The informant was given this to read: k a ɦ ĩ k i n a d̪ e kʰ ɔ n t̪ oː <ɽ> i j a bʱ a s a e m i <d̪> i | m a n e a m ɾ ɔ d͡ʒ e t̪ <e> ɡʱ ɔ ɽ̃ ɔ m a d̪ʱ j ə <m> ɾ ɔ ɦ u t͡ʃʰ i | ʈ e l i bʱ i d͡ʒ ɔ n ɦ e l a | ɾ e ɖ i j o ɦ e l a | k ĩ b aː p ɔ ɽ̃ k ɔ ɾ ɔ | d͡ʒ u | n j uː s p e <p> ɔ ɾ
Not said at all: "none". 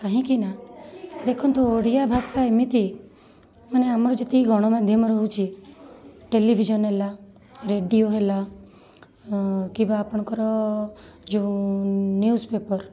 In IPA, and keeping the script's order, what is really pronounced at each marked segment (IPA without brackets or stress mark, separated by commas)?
ɽ, t̪, i, m, p